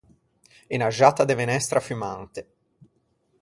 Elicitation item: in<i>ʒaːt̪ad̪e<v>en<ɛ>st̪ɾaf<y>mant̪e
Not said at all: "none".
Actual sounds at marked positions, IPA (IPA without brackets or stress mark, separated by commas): a, v, ɛ, y